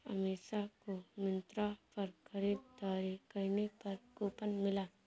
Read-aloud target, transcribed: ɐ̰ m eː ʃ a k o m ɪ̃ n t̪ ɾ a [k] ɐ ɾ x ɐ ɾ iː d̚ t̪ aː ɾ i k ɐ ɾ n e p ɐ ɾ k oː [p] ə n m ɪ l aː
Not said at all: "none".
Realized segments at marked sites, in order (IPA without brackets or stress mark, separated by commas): p, p